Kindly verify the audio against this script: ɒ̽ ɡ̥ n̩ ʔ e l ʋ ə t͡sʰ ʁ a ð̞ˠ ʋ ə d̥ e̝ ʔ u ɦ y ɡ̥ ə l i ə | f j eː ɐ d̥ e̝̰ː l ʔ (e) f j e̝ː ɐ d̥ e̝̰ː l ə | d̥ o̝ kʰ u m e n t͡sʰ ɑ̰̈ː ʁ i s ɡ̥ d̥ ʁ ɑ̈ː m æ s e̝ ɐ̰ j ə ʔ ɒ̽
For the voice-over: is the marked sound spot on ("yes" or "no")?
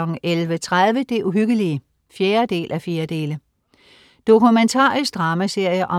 no